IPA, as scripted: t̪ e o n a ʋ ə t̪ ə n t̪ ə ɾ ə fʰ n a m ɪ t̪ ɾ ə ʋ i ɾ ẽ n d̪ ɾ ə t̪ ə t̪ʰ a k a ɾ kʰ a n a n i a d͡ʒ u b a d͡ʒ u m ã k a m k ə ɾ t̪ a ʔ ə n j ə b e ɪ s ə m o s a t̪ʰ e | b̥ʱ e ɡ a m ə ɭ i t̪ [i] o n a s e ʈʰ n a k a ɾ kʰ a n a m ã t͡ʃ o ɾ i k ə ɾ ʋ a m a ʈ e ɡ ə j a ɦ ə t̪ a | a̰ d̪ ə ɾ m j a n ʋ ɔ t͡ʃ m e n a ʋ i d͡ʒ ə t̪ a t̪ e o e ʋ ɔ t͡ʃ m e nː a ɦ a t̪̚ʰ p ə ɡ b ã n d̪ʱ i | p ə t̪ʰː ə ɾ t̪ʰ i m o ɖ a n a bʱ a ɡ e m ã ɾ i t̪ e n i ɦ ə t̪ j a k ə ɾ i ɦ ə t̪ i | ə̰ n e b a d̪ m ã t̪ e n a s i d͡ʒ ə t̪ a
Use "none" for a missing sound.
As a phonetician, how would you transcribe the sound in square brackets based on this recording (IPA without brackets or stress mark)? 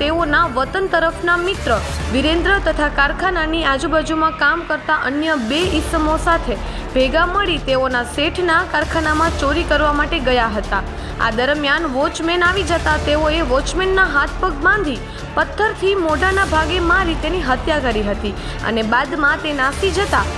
e